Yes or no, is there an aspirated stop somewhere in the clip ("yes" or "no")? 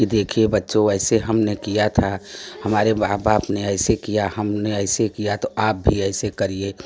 yes